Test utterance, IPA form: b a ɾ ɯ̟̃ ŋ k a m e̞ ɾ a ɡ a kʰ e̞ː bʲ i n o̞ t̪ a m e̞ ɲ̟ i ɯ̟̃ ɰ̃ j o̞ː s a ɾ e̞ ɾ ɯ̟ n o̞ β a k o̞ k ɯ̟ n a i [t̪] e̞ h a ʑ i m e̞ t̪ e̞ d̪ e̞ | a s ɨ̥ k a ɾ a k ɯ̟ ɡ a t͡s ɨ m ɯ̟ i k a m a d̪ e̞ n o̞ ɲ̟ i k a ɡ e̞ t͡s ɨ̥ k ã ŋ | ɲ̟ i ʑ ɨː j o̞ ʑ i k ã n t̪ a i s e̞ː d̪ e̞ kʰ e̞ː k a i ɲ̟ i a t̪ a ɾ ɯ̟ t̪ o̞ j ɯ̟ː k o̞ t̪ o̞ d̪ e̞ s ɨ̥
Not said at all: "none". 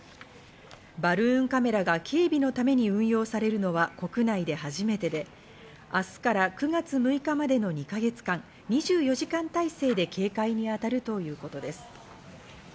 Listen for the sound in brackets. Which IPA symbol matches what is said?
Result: d̪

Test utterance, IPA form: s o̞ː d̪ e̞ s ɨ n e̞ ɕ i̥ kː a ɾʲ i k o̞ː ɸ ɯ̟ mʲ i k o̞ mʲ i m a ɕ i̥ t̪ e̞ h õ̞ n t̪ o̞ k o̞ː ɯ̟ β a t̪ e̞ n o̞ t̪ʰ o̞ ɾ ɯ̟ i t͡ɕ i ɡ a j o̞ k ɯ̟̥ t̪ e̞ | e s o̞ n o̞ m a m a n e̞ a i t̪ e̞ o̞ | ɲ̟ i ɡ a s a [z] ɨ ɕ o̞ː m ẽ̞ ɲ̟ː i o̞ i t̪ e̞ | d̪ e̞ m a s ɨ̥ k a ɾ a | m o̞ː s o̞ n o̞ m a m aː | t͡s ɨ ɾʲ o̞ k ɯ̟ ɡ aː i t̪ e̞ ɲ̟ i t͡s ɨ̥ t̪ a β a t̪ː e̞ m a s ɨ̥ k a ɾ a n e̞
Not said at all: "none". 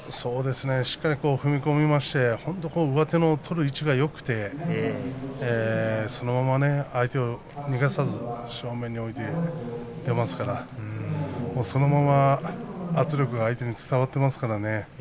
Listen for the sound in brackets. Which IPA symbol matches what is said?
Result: z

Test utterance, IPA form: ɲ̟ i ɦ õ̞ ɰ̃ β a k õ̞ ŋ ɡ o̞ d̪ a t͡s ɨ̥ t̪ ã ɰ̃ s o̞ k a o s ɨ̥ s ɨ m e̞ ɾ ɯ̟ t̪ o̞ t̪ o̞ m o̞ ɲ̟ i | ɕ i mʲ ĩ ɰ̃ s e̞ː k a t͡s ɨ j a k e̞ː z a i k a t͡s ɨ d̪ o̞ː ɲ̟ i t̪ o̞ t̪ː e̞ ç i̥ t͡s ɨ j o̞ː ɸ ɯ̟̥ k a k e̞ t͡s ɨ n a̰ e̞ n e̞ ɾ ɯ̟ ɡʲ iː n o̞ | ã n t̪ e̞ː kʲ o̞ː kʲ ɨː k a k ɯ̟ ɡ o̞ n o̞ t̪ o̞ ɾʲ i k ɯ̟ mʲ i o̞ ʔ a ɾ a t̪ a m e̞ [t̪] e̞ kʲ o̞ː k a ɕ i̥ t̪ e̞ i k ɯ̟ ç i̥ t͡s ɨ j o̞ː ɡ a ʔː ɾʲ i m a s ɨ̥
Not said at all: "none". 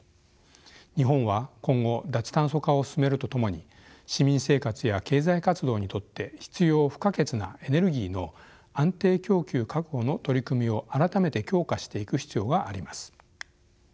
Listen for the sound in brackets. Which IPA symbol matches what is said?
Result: t̪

